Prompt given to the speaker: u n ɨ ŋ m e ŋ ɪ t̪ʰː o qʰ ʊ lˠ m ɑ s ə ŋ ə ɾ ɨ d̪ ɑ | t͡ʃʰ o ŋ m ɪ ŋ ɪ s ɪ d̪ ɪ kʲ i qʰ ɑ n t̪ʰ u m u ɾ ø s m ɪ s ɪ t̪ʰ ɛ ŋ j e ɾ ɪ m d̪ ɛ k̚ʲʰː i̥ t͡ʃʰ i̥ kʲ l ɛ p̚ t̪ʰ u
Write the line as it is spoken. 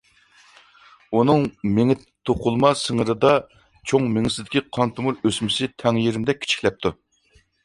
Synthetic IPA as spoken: u n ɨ ŋ m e ŋ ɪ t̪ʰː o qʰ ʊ lˠ m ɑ s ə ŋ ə ɾ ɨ d̪ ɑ | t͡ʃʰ o ŋ m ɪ ŋ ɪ s ɪ d̪ ɪ kʲ i qʰ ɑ n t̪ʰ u m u ɾ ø s m ɪ s ɪ t̪ʰ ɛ ŋ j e ɾ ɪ m d̪ ɛ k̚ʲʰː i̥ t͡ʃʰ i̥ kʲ l ɛ p̚ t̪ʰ u

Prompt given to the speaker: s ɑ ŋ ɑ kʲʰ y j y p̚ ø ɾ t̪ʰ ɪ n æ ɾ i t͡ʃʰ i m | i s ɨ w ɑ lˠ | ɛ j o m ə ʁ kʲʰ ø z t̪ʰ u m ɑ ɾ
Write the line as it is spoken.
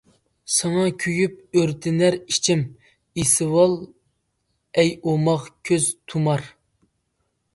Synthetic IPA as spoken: s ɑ ŋ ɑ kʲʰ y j y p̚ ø ɾ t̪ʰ ɪ n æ ɾ i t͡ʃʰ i m | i s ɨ w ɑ lˠ | ɛ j o m ɑ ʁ kʲʰ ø z t̪ʰ u m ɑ ɾ

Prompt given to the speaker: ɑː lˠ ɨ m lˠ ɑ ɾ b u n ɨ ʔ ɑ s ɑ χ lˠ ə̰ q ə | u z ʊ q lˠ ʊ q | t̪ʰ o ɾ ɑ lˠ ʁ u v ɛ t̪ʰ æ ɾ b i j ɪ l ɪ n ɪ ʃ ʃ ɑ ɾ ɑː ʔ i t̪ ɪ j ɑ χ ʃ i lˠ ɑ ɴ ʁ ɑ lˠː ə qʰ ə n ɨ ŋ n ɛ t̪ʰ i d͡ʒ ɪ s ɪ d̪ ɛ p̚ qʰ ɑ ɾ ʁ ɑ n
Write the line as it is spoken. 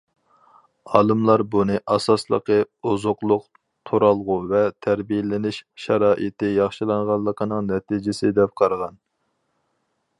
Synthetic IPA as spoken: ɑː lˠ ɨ m lˠ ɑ ɾ b u n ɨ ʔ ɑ s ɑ s lˠ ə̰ q ə | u z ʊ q lˠ ʊ q | t̪ʰ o ɾ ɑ lˠ ʁ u v ɛ t̪ʰ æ ɾ b i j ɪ l ɪ n ɪ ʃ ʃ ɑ ɾ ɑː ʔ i t̪ ɪ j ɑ χ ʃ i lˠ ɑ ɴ ʁ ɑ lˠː ə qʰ ə n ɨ ŋ n ɛ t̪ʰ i d͡ʒ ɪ s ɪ d̪ ɛ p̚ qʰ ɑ ɾ ʁ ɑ n

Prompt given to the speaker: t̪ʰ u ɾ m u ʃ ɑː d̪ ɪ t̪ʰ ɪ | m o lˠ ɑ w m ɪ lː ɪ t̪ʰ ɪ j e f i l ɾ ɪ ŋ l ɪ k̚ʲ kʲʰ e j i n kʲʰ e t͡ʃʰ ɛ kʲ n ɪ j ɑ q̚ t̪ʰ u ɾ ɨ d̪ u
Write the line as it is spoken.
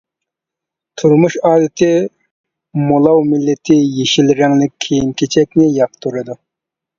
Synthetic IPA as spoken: t̪ʰ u ɾ m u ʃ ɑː d̪ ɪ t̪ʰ ɪ | m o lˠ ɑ w m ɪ lː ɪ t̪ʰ ɪ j e ʃ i l ɾ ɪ ŋ l ɪ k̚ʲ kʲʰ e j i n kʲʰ e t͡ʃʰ ɛ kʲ n ɪ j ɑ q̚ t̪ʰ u ɾ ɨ d̪ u

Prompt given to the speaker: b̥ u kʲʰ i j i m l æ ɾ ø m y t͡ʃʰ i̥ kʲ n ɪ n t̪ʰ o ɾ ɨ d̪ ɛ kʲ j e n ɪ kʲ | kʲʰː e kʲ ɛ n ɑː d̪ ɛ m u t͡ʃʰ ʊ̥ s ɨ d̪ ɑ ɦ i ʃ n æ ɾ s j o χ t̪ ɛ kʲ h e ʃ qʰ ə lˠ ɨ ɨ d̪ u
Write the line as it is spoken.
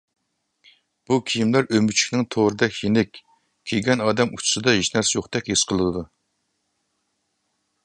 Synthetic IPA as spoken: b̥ u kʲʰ i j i m l æ ɾ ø m y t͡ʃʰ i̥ kʲ n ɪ ŋ t̪ʰ o ɾ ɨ d̪ ɛ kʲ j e n ɪ kʲ | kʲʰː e ɡʲ ɛ n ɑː d̪ ɛ m u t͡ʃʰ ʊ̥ s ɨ d̪ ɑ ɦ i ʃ n æ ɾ s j o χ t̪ ɛ kʲ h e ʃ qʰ ə lˠ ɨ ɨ d̪ u

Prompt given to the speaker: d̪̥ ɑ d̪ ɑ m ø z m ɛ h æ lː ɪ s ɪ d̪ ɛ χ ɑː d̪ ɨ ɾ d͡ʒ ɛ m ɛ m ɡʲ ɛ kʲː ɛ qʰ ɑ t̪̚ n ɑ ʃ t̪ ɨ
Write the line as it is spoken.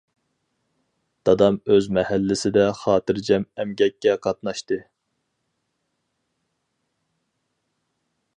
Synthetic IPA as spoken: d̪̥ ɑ d̪ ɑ m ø z m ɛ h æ lː ɪ s ɪ d̪ ɛ χ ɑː t̪ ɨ ɾ d͡ʒ ɛ m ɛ m ɡʲ ɛ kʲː ɛ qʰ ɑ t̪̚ n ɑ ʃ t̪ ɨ

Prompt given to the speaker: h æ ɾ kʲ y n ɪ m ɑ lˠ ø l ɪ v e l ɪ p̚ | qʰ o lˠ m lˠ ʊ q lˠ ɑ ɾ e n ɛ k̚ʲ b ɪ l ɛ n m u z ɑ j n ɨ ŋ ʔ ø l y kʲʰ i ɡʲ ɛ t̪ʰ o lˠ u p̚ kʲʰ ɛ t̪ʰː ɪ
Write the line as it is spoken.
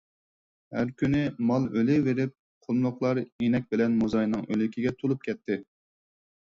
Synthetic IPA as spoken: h æ ɾ kʲ y n ɪ m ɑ lˠ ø l ɪ v e ɾ ɪ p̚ | qʰ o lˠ m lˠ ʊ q lˠ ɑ ɾ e n ɛ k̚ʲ b ɪ l ɛ n m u z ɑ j n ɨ ŋ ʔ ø l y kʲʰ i ɡʲ ɛ t̪ʰ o lˠ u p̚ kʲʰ ɛ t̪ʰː ɪ

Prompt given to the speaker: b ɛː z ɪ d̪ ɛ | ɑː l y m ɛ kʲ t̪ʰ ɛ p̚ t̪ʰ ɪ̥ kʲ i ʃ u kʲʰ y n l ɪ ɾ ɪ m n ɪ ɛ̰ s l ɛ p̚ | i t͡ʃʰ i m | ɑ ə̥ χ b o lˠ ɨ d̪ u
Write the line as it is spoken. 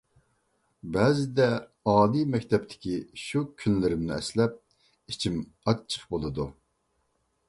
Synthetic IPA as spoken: b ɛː z ɪ d̪ ɛ | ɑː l i m ɛ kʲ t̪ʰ ɛ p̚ t̪ʰ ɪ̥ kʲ i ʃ u kʲʰ y n l ɪ ɾ ɪ m n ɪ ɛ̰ s l ɛ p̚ | i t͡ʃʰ i m | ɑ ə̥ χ b o lˠ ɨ d̪ u

